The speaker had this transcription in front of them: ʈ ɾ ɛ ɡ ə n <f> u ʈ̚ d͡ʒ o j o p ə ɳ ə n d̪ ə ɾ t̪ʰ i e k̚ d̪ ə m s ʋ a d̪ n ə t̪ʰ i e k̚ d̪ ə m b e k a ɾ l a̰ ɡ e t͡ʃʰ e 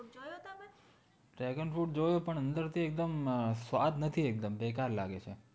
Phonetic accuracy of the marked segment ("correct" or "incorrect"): correct